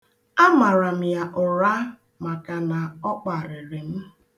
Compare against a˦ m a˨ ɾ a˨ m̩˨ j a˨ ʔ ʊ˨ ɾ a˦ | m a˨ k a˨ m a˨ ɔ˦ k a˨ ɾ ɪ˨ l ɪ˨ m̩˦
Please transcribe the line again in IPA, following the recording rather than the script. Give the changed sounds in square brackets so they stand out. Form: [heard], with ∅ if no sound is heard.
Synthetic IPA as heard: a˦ m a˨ ɾ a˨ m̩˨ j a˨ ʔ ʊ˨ ɾ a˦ | m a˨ k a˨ [n] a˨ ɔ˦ [k͡p] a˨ ɾ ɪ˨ [ɾ] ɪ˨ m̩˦